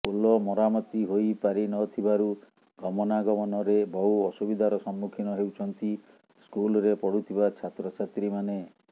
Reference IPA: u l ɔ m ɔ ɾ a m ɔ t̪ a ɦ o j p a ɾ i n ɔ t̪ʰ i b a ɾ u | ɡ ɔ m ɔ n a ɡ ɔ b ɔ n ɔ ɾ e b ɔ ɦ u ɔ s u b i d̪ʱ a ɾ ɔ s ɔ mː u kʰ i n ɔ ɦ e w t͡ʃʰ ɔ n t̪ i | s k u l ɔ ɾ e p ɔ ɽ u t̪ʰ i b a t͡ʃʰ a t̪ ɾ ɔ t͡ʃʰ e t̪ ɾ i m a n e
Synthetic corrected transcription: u l ɔ m ɔ ɾ a m ɔ t̪ i ɦ o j p a ɾ i n ɔ t̪ʰ i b a ɾ u | ɡ ɔ m ɔ n a ɡ ɔ m ɔ n ɔ ɾ e b ɔ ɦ u ɔ s u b i d̪ʱ a ɾ ɔ s ɔ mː u kʰ i n ɔ ɦ e w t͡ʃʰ ɔ n t̪ i | s k u l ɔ ɾ e p ɔ ɽ u t̪ʰ i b a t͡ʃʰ a t̪ ɾ ɔ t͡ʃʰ a t̪ ɾ i m a n e